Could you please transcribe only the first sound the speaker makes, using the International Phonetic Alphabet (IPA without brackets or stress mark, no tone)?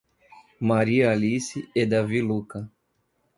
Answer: m